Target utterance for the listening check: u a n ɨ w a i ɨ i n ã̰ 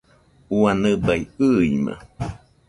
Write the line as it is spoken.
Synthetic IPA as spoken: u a n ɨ b a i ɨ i m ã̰